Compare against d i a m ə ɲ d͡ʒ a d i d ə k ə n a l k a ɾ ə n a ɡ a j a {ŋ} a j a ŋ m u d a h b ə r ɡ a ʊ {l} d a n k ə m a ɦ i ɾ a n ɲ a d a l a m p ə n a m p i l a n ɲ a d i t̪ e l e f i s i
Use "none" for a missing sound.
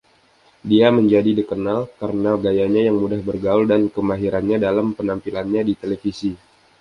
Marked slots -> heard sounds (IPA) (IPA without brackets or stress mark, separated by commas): ɲ, l